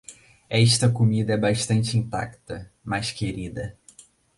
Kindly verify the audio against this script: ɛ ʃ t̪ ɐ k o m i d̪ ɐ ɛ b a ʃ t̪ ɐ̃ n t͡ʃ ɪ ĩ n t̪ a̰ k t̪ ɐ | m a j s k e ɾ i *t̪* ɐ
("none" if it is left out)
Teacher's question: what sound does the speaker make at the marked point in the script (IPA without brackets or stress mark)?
d̪